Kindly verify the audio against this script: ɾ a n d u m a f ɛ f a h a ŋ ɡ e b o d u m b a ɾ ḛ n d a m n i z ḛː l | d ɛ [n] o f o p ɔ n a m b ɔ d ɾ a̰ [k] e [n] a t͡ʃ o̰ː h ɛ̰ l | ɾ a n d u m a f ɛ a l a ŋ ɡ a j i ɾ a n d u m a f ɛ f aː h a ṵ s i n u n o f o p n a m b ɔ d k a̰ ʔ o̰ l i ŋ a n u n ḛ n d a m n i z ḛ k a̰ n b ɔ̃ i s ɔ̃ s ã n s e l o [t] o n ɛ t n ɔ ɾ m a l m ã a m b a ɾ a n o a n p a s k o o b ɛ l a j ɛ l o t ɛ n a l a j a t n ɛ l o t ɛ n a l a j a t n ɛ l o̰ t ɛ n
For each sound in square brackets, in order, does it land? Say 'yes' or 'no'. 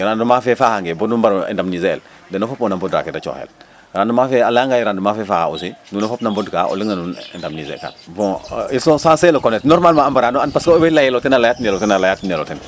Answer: yes, yes, no, no

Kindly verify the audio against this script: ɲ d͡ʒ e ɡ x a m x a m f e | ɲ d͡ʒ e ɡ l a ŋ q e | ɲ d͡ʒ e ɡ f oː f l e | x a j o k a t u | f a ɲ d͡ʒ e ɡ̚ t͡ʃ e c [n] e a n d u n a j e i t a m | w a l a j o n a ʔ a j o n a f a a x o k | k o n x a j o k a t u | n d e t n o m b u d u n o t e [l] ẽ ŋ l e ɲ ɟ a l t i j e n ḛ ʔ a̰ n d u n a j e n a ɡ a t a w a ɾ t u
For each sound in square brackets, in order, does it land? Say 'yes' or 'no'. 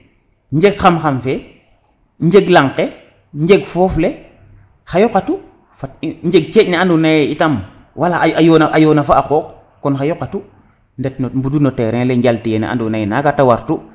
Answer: yes, no

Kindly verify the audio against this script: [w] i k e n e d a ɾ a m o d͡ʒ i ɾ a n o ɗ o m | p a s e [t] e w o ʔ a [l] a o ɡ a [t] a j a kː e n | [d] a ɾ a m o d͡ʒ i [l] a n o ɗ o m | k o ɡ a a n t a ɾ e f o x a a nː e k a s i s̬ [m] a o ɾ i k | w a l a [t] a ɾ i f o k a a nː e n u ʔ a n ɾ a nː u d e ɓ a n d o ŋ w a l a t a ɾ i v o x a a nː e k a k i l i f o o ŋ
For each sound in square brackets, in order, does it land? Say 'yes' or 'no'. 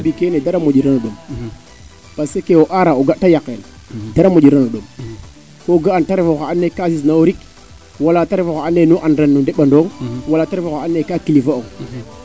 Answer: no, no, no, yes, yes, no, no, yes

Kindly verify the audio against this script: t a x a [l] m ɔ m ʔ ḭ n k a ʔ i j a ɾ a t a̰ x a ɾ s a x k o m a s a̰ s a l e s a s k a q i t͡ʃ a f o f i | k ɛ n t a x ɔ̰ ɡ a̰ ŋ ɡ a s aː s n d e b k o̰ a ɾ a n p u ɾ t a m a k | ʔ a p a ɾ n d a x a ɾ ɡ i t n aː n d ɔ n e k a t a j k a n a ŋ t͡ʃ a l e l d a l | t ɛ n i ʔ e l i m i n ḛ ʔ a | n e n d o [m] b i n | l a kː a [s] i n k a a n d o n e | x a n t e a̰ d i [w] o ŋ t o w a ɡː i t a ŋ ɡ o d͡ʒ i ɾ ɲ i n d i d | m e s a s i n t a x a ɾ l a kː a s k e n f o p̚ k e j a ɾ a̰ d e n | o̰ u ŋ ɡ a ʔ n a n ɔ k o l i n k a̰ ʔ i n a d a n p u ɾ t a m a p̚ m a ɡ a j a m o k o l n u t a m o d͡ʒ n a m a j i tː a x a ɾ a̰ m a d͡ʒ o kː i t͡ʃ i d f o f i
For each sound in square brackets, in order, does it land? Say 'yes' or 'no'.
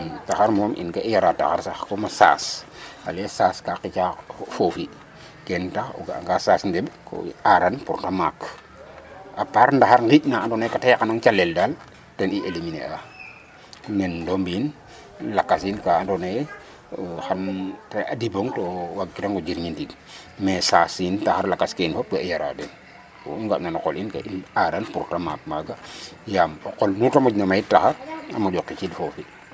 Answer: no, yes, yes, no

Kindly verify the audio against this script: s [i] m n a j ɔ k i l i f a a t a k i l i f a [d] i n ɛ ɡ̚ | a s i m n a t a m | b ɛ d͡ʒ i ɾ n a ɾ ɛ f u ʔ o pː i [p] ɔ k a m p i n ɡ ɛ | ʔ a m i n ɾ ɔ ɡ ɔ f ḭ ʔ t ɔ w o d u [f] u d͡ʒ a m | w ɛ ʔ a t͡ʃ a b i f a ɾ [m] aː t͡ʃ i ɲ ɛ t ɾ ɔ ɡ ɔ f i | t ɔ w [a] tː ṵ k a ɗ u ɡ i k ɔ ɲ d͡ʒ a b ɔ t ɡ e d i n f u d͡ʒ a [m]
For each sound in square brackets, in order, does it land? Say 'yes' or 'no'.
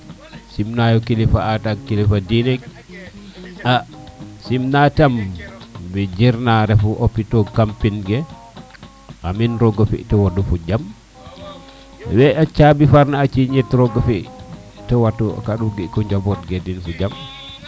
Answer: yes, yes, no, yes, no, yes, yes

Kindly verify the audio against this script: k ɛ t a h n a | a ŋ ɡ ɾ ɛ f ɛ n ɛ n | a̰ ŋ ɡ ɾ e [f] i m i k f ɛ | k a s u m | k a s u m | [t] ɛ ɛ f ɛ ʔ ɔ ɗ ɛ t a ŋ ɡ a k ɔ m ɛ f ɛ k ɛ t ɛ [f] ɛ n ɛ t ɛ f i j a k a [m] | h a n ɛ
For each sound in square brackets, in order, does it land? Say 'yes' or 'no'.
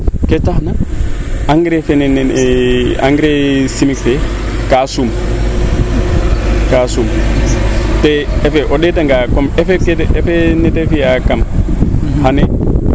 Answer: no, yes, yes, yes

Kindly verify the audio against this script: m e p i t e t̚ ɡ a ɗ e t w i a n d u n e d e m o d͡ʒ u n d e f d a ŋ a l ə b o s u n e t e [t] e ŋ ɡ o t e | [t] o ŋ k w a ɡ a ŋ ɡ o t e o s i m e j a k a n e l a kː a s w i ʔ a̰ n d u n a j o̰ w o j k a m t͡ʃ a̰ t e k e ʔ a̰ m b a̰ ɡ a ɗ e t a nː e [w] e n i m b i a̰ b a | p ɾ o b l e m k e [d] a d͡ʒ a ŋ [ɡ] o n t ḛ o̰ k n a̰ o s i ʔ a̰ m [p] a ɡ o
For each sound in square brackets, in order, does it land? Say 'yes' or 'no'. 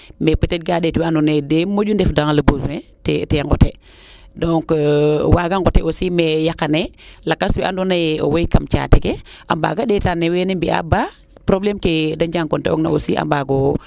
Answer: yes, no, yes, yes, no, no

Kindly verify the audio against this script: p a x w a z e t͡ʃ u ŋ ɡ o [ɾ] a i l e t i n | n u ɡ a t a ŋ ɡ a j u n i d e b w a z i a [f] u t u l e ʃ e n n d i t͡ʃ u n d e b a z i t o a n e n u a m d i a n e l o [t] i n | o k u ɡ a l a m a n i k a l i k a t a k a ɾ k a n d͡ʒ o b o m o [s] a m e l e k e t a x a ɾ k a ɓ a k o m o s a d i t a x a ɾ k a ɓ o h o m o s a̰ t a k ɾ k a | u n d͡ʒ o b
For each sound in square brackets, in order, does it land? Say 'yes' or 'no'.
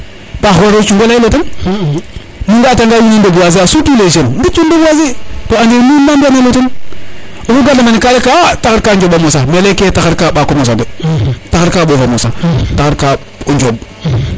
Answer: no, no, yes, yes

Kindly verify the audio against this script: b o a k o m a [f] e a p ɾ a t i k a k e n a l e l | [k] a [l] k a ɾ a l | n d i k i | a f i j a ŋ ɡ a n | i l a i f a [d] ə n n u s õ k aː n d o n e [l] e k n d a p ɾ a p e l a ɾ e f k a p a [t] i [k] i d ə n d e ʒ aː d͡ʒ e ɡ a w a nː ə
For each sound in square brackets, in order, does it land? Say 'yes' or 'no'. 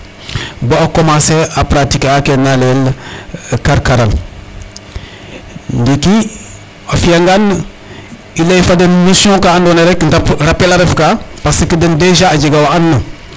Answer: no, yes, no, yes, no, no, yes

